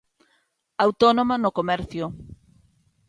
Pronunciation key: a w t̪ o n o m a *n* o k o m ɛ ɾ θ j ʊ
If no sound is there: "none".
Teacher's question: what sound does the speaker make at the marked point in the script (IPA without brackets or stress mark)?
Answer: n